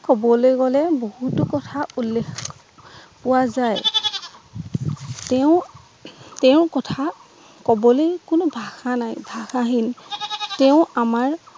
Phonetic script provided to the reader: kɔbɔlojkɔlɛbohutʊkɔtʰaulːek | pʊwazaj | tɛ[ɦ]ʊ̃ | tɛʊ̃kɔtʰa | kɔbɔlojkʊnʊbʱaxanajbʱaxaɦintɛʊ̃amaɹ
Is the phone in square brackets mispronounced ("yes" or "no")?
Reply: yes